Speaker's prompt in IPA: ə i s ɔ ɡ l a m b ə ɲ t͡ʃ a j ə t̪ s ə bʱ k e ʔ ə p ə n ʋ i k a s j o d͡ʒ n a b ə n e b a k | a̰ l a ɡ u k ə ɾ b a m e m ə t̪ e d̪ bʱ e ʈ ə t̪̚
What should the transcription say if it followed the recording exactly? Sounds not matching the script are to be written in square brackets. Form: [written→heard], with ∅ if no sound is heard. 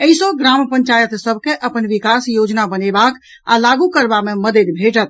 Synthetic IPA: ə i s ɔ ɡ [l→ɾ] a m [b→p] ə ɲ t͡ʃ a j ə t̪ s ə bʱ k e ʔ ə p ə n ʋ i k a s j o d͡ʒ n a b ə n e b a k | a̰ l a ɡ u k ə ɾ b a m e m ə [t̪→d̪] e d̪ bʱ e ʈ ə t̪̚